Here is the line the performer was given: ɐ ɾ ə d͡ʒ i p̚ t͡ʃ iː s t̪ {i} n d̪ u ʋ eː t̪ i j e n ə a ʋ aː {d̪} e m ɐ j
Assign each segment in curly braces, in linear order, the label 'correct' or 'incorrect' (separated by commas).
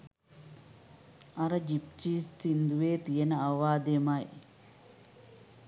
correct, correct